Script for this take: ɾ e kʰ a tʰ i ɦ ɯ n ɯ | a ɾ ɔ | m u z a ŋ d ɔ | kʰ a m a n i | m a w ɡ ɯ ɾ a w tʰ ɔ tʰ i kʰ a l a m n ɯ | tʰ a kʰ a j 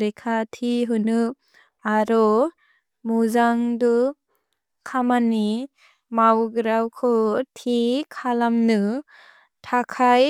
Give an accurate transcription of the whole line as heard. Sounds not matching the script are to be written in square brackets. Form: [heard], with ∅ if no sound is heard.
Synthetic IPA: ɾ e kʰ a tʰ i ɦ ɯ n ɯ | a ɾ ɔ | m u z a ŋ d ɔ | kʰ a m a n i | m a w ɡ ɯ ɾ a w [kʰ] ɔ tʰ i kʰ a l a m n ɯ | tʰ a kʰ a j